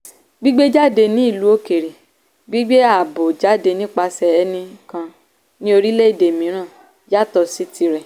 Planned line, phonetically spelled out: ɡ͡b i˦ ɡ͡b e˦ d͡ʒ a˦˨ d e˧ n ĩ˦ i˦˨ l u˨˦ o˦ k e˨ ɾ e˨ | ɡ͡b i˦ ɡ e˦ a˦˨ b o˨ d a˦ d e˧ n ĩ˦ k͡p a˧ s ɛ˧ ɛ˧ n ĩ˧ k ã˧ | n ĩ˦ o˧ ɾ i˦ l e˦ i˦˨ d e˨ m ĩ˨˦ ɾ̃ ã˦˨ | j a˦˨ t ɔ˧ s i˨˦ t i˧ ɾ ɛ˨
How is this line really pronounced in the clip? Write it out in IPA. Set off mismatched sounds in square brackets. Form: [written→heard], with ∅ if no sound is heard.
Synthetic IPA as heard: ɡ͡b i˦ ɡ͡b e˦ d͡ʒ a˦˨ d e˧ n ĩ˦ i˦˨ l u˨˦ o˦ k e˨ ɾ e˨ | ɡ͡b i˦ [ɡ→ɡ͡b] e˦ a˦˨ b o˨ [d→d͡ʒ] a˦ d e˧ n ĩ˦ k͡p a˧ s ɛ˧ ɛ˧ n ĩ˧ k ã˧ | n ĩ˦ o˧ ɾ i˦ l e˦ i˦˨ d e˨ m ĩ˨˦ ɾ̃ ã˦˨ | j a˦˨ t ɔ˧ s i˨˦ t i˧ ɾ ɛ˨